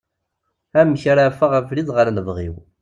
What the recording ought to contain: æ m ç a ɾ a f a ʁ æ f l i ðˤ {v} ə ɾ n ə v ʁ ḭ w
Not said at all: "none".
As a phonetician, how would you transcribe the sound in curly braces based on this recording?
ʁ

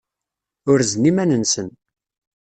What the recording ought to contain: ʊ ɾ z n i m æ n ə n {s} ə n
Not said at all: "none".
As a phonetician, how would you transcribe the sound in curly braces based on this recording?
s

